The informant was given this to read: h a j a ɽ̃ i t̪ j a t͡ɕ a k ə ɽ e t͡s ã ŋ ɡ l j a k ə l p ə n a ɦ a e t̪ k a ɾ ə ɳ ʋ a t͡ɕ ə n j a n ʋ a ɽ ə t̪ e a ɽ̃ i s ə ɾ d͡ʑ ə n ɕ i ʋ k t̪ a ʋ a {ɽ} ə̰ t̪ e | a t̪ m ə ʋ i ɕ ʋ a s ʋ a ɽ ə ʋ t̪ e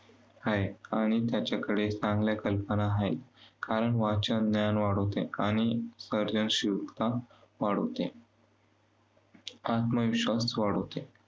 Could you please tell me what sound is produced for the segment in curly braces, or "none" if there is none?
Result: ɽ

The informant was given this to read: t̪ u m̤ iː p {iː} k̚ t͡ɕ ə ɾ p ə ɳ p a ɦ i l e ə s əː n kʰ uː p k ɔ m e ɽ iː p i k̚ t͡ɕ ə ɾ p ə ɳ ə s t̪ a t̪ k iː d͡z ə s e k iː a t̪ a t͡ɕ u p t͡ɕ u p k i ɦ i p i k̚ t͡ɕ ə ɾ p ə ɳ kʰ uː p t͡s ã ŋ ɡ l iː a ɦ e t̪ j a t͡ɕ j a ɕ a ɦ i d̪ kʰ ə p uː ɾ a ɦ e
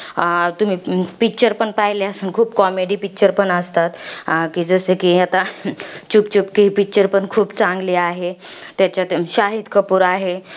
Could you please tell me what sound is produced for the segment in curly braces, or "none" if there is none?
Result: i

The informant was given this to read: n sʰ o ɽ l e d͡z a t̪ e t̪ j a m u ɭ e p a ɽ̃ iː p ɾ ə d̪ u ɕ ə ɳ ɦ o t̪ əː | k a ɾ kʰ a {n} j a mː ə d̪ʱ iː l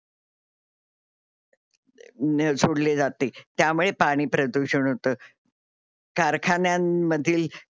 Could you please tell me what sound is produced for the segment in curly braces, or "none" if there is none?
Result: n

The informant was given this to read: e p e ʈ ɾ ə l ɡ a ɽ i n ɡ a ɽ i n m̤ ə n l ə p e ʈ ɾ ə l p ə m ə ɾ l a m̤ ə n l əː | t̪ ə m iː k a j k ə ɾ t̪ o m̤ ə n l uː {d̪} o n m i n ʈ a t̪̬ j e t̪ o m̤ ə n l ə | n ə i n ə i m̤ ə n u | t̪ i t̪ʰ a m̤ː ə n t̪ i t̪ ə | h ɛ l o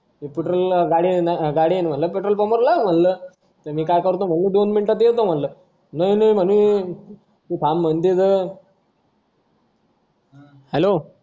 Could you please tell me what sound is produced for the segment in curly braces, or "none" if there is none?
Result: d̪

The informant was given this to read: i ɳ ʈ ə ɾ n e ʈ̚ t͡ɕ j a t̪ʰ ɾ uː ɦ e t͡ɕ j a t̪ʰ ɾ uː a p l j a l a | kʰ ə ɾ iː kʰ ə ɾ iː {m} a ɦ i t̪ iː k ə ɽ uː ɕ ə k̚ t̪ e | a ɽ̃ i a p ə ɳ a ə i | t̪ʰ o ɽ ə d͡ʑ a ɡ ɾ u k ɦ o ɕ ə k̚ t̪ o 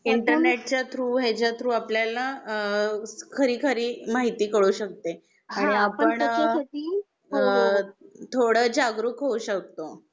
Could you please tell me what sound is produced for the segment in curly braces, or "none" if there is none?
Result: m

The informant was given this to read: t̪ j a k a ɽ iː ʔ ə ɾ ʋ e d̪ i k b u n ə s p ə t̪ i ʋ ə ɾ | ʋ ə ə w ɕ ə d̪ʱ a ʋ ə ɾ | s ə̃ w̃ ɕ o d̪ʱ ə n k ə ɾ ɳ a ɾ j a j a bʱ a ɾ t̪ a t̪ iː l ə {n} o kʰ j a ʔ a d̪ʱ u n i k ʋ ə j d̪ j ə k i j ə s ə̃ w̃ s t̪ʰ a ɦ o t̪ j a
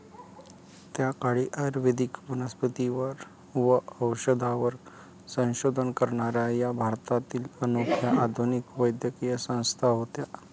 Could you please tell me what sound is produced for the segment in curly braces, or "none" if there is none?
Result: n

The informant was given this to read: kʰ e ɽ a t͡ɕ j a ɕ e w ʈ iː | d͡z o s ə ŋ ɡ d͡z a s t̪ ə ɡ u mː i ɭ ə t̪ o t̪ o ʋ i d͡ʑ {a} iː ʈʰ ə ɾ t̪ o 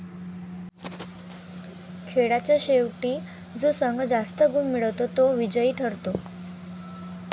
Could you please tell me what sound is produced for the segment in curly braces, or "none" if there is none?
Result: ə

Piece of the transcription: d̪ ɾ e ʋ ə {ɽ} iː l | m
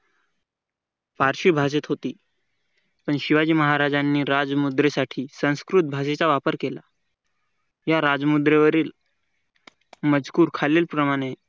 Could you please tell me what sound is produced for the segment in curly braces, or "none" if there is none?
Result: ɾ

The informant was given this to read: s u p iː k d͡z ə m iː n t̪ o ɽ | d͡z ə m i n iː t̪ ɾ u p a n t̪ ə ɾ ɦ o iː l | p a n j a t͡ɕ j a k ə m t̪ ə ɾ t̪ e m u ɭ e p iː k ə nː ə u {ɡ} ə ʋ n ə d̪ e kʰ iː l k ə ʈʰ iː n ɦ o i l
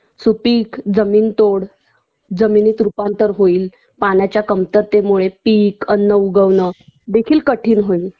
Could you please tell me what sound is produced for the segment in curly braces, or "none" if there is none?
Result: ɡ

